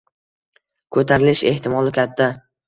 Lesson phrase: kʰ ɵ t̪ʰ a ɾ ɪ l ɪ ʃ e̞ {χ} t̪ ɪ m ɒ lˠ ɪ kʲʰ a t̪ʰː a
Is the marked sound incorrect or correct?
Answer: incorrect